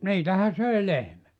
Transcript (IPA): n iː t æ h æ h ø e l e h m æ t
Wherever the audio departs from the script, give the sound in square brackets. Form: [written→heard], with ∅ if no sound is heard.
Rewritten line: n iː t æ h æ [h→s] ø [e→i] l e h m æ t

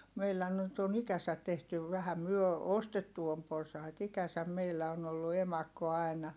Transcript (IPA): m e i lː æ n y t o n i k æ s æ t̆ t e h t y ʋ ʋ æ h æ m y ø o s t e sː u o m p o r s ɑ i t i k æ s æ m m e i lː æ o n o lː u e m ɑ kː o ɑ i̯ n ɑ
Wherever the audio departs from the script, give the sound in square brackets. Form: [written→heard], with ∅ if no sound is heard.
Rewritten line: m e i lː æ n y t o n i k æ s æ t̆ t e h t y ʋ ʋ æ h æ m y ø o s t e [sː→tː] u o m p o r s ɑ i t i k æ s æ m m e i lː æ o n o lː u e m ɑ kː o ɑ i̯ n ɑ

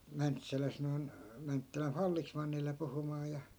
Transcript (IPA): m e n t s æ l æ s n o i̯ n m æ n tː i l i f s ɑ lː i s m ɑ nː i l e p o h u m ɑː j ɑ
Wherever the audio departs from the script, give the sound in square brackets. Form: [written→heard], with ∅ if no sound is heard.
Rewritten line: m [e→æ] n t s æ l æ s n o i̯ n m æ n tː [i→æ] l [i→æ] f [s→f] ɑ lː i s m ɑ nː i l e p [o→u] h u m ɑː j ɑ

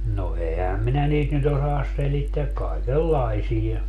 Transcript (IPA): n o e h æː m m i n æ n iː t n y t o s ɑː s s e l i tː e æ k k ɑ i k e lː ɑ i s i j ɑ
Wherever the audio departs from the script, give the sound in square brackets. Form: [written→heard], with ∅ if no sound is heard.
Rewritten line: n o e h [æː→æ] m m i n æ n iː t n y t o s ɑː s s e l i tː e æ k k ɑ i k e lː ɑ i s i j ɑ

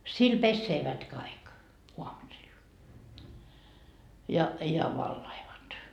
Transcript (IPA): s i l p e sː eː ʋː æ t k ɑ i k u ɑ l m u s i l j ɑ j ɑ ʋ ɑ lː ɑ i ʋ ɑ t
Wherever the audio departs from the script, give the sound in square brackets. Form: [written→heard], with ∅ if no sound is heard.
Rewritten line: s i l p e sː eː [ʋː→ʋ] æ t k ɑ i k u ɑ [l→∅] m u s i l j ɑ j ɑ ʋ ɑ lː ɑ i ʋ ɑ t

